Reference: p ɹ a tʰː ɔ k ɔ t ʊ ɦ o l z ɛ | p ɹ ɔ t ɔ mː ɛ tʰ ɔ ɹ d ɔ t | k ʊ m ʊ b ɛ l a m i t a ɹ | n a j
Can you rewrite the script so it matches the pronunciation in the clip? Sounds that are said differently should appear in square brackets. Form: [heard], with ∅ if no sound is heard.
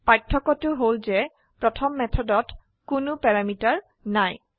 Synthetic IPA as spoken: p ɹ a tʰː ɔ k ɔ t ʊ ɦ o l z ɛ | p ɹ ɔ [tʰ] ɔ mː ɛ tʰ ɔ [∅] d ɔ t | k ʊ [n] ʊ [p] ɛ [ɹ] a m i t a ɹ | n a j